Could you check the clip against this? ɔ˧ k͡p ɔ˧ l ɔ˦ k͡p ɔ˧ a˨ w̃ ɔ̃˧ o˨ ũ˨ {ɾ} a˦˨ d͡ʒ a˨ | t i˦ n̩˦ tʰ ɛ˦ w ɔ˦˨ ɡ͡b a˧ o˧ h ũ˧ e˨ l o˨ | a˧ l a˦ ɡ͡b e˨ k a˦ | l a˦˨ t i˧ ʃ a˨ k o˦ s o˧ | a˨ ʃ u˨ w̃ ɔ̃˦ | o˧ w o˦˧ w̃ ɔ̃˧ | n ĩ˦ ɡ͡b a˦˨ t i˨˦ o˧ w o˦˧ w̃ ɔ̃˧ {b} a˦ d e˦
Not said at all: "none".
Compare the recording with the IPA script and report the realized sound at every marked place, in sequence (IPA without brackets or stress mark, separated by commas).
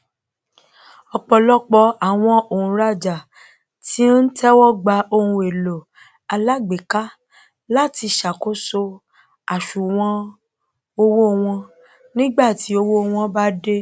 ɾ, b